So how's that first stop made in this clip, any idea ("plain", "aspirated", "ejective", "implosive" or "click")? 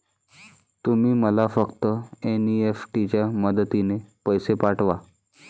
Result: plain